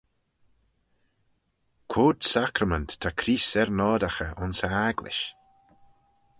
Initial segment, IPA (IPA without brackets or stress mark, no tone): kʰ